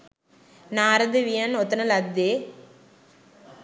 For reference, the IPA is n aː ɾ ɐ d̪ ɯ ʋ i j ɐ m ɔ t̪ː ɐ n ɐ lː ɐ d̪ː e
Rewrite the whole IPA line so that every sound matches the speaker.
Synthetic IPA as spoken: n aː ɾ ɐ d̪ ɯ ʋ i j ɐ n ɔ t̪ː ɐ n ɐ l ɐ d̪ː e